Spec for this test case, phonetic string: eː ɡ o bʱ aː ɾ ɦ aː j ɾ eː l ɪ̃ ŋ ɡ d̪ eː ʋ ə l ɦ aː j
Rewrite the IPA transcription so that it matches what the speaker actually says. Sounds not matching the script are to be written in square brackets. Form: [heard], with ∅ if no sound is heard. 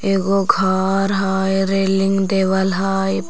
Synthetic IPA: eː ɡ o [ɡʱ] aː ɾ ɦ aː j ɾ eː l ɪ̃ ŋ ɡ d̪ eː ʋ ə l ɦ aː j